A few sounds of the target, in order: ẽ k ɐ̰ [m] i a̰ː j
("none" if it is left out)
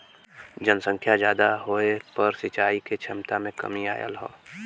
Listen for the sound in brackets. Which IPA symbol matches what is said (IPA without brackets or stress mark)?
m